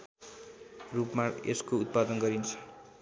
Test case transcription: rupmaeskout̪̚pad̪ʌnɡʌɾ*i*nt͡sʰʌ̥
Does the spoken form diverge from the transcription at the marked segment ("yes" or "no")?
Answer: no